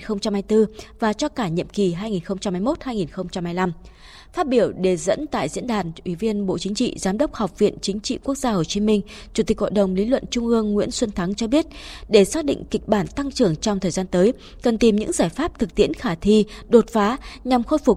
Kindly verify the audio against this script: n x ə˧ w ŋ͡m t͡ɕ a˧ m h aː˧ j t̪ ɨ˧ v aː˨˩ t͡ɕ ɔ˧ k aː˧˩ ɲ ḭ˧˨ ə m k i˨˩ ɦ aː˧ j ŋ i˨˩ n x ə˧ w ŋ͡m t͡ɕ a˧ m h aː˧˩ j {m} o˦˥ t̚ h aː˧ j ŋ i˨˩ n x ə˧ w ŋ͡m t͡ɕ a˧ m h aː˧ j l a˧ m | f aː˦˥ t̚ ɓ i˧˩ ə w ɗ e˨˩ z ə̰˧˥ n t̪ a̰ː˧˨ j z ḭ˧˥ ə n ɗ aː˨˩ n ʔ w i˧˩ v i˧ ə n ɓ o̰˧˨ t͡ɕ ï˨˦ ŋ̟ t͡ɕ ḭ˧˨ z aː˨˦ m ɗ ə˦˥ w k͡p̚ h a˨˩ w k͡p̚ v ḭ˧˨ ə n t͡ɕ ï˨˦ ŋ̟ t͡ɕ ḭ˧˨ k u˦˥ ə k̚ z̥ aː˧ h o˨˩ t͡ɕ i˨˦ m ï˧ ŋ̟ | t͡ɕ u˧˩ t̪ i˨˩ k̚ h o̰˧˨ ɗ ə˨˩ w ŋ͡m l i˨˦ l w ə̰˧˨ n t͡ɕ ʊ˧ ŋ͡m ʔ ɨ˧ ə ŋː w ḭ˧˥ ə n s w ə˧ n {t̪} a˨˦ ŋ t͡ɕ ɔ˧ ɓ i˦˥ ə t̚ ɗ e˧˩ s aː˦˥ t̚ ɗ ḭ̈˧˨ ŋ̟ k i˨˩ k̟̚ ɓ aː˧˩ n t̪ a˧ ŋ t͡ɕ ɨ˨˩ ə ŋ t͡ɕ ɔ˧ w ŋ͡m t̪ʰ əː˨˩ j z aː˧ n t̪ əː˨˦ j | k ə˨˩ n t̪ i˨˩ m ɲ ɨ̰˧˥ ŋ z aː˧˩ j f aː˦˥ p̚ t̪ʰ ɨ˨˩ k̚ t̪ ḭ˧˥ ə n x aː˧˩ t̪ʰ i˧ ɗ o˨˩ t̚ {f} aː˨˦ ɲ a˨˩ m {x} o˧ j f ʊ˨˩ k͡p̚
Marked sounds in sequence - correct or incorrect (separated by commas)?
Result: correct, incorrect, correct, correct